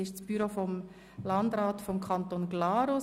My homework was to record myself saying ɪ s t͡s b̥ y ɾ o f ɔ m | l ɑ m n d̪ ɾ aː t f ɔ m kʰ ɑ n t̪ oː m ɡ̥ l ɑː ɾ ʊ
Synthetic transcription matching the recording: ɪ ʃ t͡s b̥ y ɾ o f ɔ m | l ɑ n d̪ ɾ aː t f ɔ m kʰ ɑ n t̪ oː n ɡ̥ l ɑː ɾ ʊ